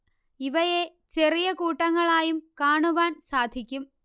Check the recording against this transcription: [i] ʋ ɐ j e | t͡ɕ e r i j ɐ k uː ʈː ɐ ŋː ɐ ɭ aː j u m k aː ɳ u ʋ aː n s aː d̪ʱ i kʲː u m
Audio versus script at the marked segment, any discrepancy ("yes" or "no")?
no